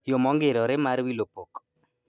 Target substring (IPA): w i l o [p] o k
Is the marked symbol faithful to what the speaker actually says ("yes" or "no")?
yes